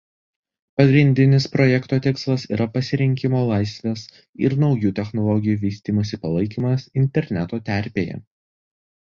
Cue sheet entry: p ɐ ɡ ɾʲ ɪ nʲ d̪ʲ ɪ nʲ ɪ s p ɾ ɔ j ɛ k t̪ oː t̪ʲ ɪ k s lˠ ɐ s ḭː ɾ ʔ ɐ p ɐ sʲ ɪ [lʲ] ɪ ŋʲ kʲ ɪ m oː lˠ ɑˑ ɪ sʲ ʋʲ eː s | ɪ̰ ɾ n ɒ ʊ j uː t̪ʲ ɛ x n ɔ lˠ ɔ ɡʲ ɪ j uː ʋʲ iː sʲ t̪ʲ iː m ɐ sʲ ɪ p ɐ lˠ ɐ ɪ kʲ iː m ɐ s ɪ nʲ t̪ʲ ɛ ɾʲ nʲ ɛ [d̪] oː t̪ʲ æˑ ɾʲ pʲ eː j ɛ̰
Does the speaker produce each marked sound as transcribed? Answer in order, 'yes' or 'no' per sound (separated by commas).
no, no